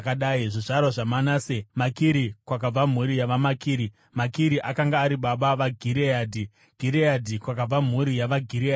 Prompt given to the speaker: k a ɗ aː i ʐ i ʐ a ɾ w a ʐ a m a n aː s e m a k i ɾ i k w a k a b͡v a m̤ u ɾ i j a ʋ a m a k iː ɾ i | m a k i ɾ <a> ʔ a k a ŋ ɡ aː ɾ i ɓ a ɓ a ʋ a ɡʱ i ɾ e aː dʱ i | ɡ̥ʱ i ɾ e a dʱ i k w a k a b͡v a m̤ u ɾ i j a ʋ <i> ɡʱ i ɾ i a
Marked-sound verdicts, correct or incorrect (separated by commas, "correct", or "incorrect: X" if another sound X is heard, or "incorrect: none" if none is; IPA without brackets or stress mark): incorrect: i, incorrect: a